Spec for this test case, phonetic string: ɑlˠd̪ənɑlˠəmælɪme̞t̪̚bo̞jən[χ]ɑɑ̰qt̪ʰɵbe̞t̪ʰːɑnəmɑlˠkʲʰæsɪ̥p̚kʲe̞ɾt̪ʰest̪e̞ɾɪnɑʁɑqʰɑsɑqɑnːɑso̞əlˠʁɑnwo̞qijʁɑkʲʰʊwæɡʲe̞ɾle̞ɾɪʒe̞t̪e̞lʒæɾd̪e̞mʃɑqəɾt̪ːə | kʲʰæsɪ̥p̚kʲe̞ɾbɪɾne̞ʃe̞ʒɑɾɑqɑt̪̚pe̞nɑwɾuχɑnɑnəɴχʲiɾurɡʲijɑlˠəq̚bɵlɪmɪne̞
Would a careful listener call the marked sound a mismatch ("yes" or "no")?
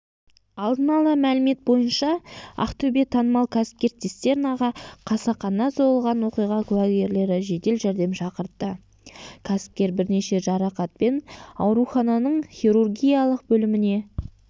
yes